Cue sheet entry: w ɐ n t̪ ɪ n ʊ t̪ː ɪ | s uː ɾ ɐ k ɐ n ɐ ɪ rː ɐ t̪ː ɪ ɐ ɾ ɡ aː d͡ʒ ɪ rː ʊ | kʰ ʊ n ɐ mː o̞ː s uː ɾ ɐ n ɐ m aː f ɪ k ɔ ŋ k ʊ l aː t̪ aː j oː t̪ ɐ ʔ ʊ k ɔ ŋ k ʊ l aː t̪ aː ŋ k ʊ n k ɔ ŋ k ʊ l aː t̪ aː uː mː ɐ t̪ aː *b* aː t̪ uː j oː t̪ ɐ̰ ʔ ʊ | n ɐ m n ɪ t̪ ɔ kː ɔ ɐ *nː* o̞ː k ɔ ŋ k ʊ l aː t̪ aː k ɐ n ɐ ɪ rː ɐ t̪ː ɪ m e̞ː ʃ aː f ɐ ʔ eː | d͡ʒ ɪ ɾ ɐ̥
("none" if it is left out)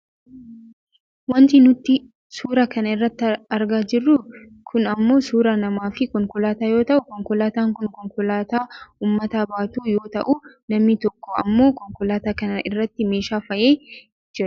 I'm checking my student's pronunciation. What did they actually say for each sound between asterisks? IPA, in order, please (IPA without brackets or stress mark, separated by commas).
b, mː